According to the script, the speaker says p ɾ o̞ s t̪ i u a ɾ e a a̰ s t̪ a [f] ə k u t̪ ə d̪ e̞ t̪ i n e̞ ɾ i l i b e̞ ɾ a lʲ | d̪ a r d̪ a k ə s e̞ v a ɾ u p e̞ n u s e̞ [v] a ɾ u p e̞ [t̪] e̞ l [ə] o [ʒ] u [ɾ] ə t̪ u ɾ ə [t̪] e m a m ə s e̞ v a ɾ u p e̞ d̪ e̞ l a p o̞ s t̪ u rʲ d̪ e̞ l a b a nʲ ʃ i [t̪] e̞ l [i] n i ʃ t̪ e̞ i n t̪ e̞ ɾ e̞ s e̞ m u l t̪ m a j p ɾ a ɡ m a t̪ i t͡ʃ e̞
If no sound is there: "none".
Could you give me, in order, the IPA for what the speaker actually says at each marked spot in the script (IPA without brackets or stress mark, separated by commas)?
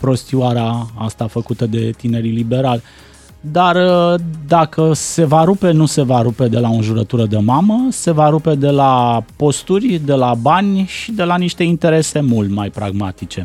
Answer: f, v, d̪, a, ʒ, ɾ, d̪, d̪, a